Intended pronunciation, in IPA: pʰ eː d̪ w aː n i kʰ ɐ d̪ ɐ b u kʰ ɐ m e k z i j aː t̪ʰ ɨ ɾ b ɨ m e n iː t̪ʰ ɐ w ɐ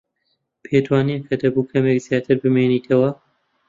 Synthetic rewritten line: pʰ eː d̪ w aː n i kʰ ɐ d̪ ɐ b u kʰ ɐ m e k z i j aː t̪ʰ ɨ ɾ b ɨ m e n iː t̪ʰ ɐ w ɐ